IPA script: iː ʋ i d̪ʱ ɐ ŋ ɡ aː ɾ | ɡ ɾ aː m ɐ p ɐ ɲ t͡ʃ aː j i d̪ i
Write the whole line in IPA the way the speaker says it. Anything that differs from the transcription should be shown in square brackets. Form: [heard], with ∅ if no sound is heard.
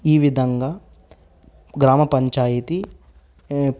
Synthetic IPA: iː ʋ i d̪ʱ ɐ ŋ ɡ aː [∅] | ɡ ɾ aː m ɐ p ɐ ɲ t͡ʃ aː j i [t̪] i